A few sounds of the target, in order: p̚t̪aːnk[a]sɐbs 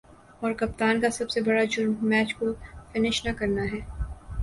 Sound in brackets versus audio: correct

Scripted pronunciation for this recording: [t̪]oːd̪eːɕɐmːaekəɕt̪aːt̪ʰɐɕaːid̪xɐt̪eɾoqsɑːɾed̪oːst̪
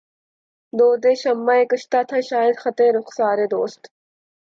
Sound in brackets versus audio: incorrect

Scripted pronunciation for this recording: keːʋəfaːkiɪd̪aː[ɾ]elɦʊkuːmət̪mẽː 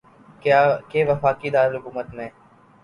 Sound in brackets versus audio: correct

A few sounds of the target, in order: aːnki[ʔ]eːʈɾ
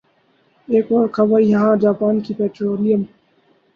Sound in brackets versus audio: incorrect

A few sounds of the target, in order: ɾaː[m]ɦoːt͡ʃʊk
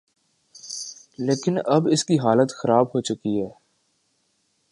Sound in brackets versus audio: incorrect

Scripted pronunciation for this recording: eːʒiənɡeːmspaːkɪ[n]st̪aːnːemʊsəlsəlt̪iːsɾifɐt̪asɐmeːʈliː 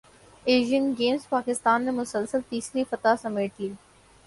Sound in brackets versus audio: incorrect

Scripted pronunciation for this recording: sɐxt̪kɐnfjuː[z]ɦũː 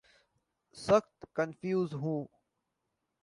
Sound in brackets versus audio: correct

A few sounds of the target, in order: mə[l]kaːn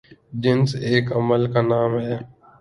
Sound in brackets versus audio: correct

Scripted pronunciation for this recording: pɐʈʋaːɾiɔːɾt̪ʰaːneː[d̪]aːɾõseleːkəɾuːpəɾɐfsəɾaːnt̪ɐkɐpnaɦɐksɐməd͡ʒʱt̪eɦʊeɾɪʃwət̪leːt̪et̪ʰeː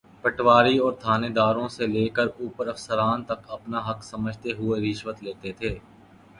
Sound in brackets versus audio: correct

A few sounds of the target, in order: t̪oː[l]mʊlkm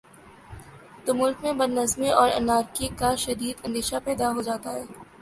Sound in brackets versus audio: incorrect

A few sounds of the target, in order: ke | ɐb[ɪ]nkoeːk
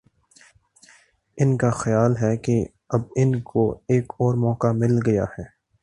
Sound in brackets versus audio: correct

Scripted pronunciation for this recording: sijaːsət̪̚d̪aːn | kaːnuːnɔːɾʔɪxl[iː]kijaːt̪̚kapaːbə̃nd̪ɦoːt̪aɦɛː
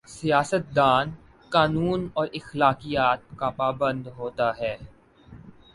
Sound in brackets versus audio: incorrect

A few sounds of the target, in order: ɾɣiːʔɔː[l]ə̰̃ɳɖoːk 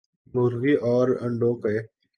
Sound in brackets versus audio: incorrect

